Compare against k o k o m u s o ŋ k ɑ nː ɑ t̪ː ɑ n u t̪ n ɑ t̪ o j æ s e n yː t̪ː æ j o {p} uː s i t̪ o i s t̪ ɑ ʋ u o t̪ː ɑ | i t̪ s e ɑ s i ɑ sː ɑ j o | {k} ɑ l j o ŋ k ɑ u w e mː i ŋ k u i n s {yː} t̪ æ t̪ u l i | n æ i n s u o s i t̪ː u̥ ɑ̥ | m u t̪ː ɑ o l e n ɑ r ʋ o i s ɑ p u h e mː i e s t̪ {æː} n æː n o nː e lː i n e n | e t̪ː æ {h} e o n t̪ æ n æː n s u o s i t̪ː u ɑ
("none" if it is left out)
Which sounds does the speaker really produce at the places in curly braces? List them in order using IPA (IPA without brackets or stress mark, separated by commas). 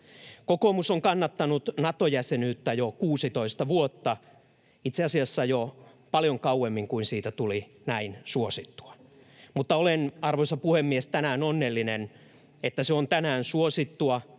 k, p, iː, æ, s